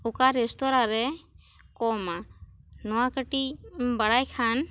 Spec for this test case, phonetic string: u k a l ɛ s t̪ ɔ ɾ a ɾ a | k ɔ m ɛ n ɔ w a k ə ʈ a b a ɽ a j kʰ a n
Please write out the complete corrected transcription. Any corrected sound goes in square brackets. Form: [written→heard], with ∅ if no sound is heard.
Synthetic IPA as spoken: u k a [l→ɾ] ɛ s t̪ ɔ ɾ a ɾ [a→ɛ] | k ɔ m [ɛ→a] n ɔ w a k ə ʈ [a→i] b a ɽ a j kʰ a n